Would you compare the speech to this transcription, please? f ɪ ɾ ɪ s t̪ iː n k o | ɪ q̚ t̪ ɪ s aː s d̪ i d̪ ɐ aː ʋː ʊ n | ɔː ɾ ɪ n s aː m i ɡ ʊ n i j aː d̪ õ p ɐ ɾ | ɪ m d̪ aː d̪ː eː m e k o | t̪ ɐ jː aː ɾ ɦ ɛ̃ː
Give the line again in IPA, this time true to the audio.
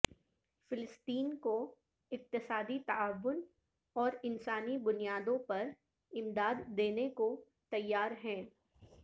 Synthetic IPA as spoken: f ɪ l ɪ s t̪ iː n k o | ɪ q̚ t̪ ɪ s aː d̪ i t̪ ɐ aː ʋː ʊ n | ɔː ɾ ɪ n s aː n i b ʊ n i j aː d̪ õ p ɐ ɾ | ɪ m d̪ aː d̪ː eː n e k o | t̪ ɐ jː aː ɾ ɦ ɛ̃ː